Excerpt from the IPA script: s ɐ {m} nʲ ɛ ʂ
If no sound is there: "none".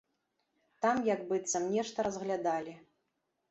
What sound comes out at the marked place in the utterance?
m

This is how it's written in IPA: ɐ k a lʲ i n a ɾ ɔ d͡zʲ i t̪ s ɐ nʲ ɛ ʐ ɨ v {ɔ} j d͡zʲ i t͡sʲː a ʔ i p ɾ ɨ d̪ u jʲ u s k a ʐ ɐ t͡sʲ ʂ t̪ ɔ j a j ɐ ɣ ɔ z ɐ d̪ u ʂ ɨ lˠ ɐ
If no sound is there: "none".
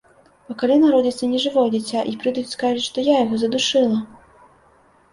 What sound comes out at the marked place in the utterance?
ɔ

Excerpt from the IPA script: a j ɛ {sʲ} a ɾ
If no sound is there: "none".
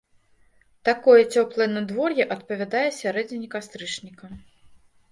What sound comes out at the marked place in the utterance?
sʲ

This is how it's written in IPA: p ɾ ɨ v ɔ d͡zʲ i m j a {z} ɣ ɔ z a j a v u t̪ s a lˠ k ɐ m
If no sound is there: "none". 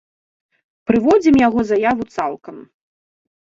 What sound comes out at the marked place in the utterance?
none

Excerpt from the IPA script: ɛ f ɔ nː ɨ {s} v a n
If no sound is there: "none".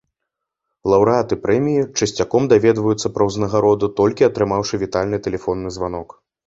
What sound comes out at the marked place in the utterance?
z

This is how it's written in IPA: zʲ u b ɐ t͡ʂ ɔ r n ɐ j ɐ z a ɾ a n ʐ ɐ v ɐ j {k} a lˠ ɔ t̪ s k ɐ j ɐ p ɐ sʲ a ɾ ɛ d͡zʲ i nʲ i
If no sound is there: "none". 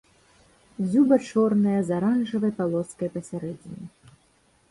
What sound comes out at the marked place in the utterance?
p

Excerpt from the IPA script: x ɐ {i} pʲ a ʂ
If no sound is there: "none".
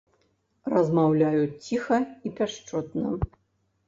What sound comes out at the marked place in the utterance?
i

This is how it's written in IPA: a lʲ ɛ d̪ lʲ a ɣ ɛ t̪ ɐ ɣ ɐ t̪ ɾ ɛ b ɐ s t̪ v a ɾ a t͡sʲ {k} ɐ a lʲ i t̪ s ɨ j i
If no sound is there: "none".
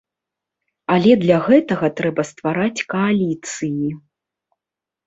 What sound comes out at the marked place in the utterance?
k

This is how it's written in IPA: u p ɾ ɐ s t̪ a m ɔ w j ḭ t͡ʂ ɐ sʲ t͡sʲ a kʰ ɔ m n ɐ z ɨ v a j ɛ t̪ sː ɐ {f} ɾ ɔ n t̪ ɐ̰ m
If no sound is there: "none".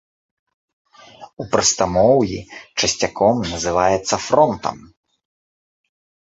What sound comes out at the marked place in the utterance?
f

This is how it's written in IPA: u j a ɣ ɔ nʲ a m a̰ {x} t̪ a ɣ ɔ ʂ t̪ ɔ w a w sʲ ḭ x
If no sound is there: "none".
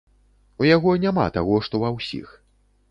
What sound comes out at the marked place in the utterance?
none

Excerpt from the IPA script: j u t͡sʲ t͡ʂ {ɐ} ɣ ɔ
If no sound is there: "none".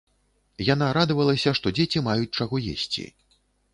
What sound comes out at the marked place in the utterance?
a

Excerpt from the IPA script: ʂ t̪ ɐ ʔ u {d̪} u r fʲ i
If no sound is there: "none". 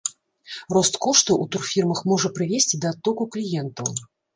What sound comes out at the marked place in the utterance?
t̪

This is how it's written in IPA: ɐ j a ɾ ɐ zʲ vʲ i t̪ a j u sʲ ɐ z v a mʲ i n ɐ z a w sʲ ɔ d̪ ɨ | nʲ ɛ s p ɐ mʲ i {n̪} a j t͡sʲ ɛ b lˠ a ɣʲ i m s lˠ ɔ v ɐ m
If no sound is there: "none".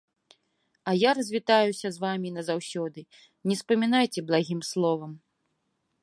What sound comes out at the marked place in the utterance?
n̪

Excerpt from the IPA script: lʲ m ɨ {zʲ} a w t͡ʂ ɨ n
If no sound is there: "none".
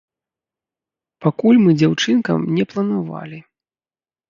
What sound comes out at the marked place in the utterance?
d͡zʲ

